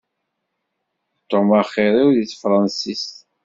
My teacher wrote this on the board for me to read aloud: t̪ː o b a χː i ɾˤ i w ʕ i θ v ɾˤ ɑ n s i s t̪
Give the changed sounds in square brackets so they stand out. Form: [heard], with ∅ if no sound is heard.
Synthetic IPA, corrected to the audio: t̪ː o [m] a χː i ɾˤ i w [ð] i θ [f] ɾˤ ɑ n s i s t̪